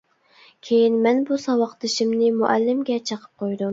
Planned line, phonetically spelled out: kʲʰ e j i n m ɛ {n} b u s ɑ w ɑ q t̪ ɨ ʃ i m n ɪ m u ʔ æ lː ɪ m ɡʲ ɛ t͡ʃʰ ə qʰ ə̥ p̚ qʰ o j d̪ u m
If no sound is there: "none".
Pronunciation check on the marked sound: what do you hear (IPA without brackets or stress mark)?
n